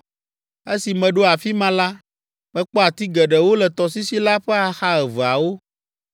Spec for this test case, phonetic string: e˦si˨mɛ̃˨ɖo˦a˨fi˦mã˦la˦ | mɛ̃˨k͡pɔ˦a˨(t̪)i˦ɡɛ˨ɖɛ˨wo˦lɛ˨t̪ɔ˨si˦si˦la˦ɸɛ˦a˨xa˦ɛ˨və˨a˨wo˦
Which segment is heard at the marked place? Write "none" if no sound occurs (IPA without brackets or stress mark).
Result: t̪